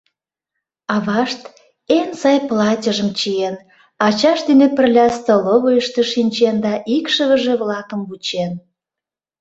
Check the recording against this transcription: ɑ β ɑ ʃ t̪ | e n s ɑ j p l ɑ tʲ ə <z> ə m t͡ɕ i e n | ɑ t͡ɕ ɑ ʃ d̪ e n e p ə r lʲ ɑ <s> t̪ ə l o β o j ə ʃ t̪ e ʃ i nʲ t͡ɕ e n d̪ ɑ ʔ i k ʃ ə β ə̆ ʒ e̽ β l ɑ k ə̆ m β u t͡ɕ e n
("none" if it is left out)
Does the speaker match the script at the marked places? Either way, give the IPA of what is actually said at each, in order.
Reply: ʒ, s

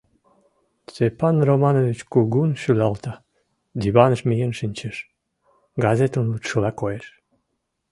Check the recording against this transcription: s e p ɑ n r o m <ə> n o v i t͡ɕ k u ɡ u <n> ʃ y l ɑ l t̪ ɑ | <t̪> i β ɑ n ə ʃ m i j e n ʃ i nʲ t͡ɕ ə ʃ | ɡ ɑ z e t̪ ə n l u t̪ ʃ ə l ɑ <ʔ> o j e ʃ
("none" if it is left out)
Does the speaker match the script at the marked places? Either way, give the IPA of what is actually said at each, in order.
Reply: ɑ, n, d̪, k

